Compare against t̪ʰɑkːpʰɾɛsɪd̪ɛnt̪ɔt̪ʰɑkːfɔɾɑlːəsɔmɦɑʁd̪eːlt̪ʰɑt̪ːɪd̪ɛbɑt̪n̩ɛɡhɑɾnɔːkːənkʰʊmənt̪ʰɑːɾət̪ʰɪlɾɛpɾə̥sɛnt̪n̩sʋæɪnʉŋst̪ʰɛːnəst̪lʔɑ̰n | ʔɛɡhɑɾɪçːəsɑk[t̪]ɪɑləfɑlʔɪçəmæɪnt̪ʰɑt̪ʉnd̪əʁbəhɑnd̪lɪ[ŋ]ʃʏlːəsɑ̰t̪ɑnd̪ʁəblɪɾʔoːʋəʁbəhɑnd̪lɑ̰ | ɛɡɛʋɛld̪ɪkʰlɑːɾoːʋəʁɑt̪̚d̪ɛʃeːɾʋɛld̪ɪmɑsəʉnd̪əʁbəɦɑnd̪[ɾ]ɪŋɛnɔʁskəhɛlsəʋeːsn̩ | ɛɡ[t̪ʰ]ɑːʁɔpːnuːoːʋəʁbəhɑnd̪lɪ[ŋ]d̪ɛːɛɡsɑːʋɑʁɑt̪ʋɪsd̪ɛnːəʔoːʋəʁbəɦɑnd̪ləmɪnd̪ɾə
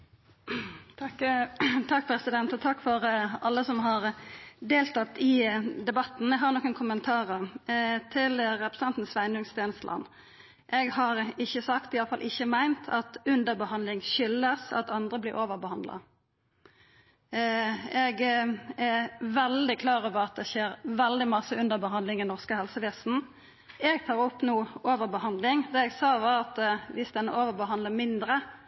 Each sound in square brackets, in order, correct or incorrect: correct, correct, incorrect: l, correct, correct

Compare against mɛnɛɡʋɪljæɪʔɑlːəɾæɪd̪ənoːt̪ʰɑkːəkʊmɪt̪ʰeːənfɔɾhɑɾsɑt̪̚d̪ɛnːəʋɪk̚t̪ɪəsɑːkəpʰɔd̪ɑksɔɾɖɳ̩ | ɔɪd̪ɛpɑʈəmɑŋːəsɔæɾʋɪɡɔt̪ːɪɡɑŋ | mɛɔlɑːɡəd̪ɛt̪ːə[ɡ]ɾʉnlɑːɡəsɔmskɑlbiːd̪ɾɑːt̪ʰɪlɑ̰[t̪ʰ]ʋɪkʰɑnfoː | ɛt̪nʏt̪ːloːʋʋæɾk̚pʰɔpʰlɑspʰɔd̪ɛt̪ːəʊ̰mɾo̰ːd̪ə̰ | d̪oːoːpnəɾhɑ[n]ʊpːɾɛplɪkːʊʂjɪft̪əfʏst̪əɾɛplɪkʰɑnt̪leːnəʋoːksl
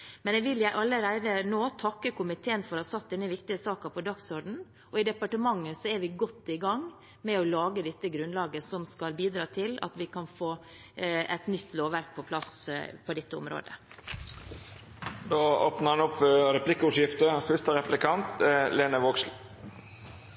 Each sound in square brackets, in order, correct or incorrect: correct, incorrect: t̪, correct

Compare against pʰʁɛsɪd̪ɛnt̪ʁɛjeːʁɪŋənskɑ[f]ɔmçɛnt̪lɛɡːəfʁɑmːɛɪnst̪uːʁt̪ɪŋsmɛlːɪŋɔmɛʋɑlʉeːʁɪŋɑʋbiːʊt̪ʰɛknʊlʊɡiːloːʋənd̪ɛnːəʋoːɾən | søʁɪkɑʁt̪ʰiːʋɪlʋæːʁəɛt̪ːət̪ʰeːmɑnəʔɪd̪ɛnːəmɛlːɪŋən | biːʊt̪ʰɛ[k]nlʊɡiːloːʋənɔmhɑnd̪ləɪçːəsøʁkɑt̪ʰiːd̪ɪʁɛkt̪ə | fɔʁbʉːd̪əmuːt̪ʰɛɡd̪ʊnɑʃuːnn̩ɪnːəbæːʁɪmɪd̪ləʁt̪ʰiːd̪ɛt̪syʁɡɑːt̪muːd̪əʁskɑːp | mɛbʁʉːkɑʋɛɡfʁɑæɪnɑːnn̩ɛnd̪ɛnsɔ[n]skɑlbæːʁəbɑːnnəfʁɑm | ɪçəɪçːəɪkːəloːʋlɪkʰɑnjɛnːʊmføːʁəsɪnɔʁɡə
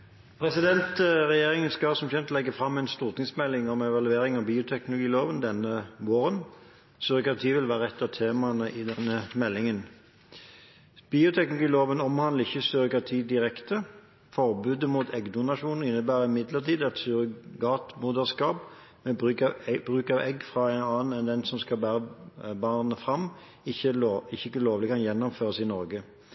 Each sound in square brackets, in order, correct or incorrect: incorrect: s, correct, incorrect: m

